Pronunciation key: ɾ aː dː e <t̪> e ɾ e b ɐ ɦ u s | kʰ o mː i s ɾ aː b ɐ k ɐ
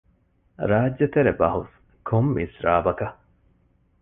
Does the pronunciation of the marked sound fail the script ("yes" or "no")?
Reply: no